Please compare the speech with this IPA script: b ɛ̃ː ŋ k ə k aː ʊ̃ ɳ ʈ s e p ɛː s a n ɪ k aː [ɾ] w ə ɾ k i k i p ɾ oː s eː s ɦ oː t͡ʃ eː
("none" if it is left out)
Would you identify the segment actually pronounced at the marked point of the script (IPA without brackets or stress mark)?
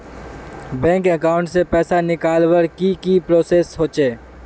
l